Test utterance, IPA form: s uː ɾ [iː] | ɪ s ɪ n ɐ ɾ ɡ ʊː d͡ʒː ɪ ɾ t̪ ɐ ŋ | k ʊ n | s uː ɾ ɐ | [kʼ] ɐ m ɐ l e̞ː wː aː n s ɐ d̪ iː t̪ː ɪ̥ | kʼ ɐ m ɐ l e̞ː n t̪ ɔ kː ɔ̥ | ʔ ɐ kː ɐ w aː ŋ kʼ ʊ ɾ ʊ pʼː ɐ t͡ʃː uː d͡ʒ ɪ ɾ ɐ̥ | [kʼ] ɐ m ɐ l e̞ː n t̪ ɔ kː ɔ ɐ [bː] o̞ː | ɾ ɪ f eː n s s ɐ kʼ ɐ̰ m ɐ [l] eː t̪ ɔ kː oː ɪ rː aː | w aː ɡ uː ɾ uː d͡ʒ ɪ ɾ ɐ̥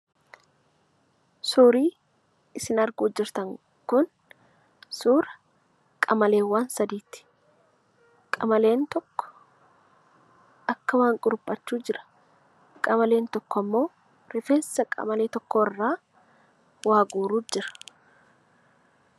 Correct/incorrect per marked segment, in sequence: correct, correct, correct, incorrect: mː, correct

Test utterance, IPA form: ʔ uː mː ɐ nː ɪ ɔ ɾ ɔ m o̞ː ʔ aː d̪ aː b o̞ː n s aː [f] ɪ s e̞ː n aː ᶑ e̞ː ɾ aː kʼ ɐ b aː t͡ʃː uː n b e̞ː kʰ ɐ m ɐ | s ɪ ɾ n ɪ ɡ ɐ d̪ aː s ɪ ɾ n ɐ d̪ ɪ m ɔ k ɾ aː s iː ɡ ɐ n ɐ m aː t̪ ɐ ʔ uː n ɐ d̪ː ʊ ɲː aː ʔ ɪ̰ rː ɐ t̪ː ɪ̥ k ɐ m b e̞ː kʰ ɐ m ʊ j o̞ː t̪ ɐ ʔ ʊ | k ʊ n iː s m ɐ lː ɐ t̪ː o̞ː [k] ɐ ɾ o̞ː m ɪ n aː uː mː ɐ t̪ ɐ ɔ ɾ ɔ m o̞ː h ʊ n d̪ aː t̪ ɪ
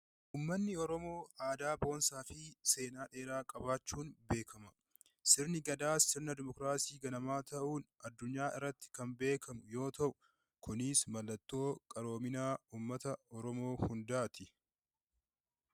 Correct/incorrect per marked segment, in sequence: correct, incorrect: kʼ

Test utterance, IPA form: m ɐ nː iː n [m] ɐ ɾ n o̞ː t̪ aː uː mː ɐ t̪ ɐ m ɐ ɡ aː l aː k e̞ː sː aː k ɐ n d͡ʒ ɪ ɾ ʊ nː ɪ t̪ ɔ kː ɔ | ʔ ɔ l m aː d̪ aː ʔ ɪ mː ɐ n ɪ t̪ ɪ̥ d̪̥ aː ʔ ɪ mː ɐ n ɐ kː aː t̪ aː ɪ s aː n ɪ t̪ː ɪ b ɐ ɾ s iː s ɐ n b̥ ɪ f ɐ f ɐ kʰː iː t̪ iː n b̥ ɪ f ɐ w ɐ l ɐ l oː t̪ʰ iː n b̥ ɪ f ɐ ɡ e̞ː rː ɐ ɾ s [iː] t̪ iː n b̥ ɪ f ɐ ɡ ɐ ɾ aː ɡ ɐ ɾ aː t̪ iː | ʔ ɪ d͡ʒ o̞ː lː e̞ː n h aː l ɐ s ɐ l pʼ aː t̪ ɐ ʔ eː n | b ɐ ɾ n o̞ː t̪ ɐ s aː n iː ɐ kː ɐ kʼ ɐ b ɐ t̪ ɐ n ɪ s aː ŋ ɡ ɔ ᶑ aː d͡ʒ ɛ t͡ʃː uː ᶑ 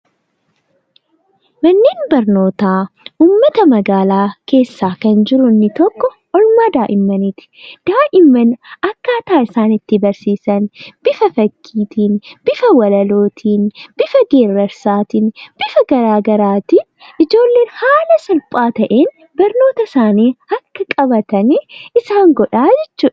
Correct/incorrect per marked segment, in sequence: incorrect: b, incorrect: aː

